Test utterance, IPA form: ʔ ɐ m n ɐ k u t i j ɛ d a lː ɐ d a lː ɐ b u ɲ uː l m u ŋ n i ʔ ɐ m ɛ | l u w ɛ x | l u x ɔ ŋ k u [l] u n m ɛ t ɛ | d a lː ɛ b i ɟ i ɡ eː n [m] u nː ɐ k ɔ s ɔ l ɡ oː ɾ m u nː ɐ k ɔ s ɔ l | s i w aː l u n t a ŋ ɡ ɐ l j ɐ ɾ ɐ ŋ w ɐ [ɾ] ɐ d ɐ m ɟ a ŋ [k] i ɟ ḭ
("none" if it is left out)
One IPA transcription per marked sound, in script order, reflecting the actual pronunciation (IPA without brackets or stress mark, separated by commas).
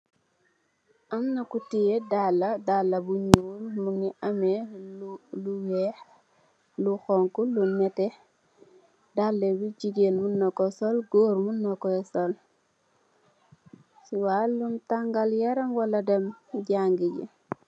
l, m, l, ɡ